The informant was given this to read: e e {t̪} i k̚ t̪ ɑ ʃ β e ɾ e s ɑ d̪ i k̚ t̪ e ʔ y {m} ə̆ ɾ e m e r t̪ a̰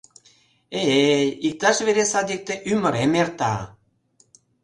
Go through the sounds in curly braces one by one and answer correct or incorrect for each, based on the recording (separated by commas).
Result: incorrect, correct